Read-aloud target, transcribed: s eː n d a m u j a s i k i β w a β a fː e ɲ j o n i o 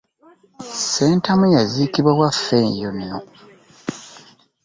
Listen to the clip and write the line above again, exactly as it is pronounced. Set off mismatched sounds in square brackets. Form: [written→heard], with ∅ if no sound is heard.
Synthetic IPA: s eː n [d→t] a m u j a [s→z] i k i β w a [β→w] a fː e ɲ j o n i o